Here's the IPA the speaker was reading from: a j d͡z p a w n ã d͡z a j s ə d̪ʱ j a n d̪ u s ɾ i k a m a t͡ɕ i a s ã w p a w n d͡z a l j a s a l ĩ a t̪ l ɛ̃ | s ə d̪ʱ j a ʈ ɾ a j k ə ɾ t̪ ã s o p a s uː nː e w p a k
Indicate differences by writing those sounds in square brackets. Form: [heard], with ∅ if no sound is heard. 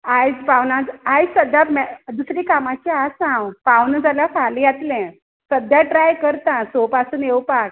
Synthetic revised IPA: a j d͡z p a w n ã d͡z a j s ə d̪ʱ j a [m] d̪ u s ɾ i k a m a t͡ɕ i a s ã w p a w n d͡z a l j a [f] a l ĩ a t̪ l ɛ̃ | s ə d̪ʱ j a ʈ ɾ a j k ə ɾ t̪ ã s o p a s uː [n] e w p a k